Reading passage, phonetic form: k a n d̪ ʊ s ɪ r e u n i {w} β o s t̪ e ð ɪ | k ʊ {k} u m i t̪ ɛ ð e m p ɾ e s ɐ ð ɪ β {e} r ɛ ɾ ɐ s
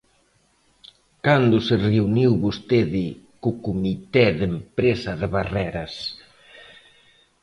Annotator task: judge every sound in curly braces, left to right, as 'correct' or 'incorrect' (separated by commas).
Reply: correct, correct, incorrect